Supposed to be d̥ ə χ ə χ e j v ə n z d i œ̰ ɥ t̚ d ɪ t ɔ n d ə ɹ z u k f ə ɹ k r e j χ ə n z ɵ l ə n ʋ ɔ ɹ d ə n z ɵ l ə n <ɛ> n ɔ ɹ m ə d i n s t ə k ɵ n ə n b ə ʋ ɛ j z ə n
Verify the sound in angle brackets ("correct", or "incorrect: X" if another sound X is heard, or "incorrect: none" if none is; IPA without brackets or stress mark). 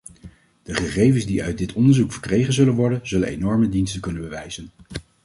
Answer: incorrect: e